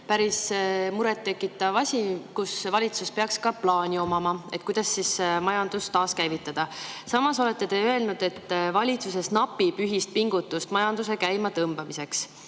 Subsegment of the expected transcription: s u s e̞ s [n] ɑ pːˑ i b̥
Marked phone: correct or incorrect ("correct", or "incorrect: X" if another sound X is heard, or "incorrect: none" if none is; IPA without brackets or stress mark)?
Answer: correct